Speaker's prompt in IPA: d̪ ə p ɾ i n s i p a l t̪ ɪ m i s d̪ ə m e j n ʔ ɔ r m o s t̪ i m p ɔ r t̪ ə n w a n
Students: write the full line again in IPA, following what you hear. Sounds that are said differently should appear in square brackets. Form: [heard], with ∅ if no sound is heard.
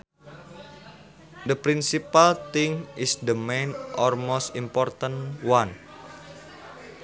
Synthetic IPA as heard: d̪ ə p ɾ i n s i p a l t̪ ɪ [ŋ] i s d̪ ə m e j n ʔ ɔ [l] m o s t̪ i m p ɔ r t̪ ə n w a n